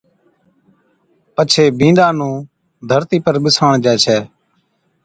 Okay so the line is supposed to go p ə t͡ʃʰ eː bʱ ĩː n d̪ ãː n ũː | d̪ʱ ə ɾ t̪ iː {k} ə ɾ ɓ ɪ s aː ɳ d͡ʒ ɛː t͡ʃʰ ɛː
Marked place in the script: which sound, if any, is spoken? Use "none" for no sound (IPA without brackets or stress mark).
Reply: p